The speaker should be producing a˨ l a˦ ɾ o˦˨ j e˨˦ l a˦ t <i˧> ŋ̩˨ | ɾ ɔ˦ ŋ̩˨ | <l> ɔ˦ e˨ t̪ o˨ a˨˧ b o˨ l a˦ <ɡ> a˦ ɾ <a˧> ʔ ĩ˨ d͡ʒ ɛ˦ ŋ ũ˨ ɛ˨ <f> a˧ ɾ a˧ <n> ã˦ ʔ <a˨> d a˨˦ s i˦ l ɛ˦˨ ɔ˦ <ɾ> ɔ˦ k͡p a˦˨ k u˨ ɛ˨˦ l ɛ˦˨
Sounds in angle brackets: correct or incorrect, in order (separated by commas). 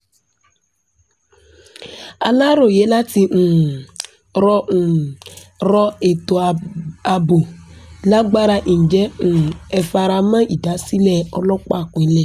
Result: correct, incorrect, incorrect, correct, correct, incorrect, incorrect, incorrect